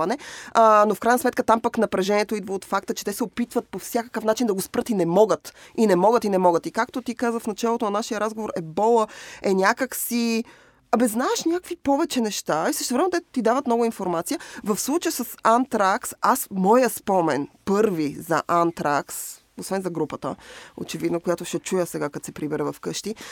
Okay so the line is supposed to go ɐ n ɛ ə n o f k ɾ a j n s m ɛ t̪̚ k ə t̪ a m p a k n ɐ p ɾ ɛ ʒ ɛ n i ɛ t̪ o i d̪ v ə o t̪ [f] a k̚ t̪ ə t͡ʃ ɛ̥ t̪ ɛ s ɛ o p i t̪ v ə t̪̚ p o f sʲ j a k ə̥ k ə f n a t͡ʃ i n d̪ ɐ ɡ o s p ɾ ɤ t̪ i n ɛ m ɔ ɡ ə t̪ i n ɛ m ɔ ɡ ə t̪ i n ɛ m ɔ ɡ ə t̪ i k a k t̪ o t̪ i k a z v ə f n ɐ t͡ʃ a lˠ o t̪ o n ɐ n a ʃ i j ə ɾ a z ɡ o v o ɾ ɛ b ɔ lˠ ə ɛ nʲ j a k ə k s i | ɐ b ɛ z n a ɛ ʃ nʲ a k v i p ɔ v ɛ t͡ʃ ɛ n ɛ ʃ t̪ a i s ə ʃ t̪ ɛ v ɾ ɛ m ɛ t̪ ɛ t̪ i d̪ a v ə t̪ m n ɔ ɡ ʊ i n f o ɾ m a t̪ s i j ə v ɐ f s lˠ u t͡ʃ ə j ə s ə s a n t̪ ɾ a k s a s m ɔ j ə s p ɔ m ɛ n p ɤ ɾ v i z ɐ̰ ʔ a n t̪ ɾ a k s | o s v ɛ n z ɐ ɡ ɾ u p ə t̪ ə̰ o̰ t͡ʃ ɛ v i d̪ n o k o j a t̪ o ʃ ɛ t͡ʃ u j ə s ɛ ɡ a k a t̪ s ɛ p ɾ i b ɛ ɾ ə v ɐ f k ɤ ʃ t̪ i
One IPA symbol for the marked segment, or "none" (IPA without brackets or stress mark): f